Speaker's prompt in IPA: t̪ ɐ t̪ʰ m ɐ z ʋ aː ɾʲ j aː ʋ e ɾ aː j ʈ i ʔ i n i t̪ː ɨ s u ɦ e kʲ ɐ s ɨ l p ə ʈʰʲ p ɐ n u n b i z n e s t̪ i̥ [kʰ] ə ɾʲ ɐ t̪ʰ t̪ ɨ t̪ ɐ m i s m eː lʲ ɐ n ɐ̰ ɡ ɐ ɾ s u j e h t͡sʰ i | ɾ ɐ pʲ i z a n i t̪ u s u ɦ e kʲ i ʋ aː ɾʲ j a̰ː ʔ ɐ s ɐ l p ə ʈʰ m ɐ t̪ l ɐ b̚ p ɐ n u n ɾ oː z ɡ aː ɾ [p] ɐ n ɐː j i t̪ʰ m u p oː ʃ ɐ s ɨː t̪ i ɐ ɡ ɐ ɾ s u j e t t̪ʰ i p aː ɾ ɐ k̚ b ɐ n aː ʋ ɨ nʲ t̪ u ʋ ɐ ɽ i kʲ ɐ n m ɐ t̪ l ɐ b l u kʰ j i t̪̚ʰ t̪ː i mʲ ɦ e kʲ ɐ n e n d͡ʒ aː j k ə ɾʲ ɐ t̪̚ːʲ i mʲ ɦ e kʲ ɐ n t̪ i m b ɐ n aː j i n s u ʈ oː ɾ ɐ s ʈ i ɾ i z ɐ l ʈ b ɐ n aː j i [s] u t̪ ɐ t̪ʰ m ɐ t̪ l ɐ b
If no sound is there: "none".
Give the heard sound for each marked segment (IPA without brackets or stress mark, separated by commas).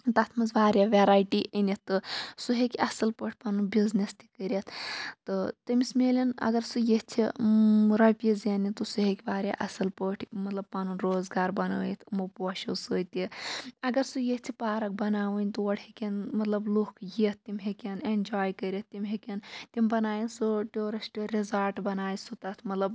k, b, s